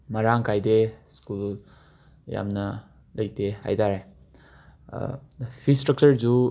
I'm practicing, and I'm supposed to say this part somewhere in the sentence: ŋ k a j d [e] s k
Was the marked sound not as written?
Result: no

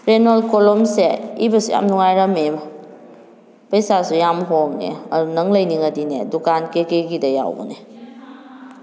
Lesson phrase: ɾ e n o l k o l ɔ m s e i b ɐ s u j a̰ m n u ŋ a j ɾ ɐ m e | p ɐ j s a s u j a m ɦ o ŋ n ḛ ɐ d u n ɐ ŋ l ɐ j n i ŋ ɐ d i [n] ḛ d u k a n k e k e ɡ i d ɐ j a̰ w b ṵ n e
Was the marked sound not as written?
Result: no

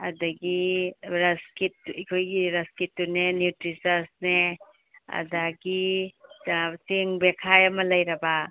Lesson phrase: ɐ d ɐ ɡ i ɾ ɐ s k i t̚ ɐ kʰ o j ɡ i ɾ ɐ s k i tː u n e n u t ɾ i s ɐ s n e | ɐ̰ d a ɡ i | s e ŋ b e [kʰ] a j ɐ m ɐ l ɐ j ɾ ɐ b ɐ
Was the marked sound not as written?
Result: no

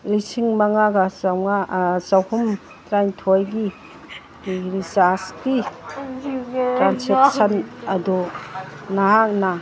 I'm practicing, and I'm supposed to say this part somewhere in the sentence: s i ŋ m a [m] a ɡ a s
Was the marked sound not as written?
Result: yes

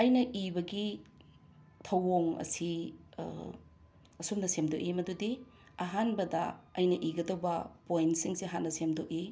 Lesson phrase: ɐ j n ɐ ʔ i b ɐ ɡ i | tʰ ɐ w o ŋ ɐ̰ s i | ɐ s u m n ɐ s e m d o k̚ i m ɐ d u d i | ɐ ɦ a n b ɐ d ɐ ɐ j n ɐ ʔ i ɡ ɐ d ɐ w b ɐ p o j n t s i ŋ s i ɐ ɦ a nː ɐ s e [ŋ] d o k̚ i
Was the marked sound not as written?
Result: yes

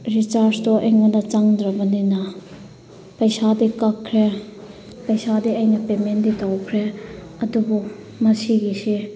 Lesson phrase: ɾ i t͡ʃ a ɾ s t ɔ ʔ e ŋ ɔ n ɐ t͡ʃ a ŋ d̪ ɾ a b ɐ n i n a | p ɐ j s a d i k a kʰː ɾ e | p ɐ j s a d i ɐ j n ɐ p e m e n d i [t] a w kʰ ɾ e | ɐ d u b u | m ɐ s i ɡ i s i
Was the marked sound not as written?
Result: no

